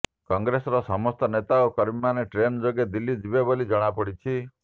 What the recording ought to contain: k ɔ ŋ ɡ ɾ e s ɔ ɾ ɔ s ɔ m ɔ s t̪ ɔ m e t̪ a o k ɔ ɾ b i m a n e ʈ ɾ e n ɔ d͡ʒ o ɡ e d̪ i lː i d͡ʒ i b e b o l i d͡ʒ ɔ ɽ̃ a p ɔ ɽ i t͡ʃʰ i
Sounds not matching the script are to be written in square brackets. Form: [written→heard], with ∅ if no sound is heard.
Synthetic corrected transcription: k ɔ ŋ ɡ ɾ e s ɔ ɾ ɔ s ɔ m ɔ s t̪ ɔ [m→n] e t̪ a o k ɔ ɾ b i m a n e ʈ ɾ e n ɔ d͡ʒ o ɡ e d̪ i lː i d͡ʒ i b e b o l i d͡ʒ ɔ ɽ̃ a p ɔ ɽ i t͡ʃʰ i